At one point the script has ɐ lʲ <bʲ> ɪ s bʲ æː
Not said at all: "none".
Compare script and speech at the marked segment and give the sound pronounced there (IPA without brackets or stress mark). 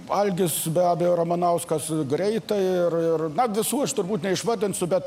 ɡʲ